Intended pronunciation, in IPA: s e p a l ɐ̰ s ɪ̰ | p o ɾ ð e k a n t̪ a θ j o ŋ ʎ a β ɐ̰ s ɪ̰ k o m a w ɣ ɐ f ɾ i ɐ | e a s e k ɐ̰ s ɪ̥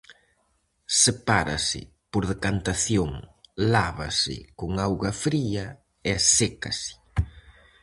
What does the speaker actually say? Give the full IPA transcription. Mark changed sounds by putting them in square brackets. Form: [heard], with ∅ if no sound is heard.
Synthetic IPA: s e p a [ɾ] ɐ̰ s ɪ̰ | p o ɾ ð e k a n t̪ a θ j o ŋ [l] a β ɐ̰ s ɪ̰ k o [ŋ] a w ɣ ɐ f ɾ i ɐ | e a s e k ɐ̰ s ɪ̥